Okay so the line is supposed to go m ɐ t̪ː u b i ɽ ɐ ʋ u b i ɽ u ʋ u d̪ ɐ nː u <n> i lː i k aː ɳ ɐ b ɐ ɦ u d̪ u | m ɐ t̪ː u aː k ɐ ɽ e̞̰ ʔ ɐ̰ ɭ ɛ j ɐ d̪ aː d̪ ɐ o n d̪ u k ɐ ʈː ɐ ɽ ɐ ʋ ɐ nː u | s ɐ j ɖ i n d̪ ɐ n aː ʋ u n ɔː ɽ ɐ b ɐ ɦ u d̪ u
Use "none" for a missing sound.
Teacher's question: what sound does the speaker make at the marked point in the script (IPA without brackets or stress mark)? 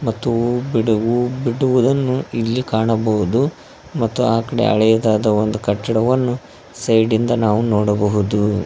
none